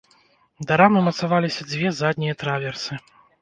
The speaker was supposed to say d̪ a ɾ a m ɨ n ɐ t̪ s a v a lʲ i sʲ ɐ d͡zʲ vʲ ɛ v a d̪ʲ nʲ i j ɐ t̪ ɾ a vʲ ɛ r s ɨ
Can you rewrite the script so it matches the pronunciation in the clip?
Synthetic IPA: d̪ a ɾ a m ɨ m ɐ t̪ s a v a lʲ i sʲ ɐ d͡zʲ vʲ ɛ z a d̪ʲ nʲ i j ɐ t̪ ɾ a vʲ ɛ r s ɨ